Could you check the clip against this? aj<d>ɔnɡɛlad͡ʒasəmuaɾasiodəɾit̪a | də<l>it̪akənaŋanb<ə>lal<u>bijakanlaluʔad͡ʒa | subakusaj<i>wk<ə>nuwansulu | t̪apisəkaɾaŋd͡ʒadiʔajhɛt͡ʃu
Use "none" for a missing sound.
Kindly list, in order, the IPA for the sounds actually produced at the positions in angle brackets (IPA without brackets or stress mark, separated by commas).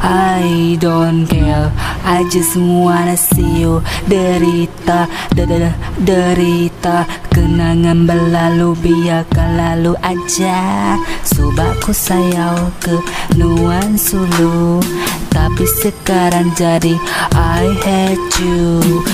d, ɾ, ə, u, a, ə